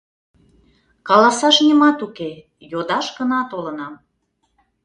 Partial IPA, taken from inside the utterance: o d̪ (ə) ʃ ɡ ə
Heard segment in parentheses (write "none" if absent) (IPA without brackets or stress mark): ɑ